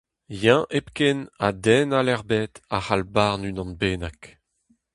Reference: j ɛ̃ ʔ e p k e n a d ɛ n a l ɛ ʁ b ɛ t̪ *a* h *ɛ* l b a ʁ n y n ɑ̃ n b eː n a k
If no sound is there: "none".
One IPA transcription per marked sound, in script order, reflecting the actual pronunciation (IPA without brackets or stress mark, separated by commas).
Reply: a, a